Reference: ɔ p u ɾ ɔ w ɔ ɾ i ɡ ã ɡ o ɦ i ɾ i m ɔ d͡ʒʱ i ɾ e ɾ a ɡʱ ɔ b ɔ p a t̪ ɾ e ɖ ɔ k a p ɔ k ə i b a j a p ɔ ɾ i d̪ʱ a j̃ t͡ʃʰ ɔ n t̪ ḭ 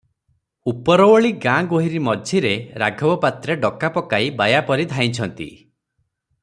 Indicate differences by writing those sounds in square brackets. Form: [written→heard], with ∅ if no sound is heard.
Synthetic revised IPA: [ɔ→u] p [u→ɔ] ɾ ɔ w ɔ [ɾ→ɭ] i ɡ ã ɡ o ɦ i ɾ i m ɔ d͡ʒʱ i ɾ e ɾ a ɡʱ ɔ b ɔ p a t̪ ɾ e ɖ ɔ k a p ɔ k [ə→a] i b a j a p ɔ ɾ i d̪ʱ a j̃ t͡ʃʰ ɔ n t̪ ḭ